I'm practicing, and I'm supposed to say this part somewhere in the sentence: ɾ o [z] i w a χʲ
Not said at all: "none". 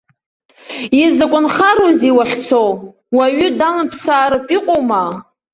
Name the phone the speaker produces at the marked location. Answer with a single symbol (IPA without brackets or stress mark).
z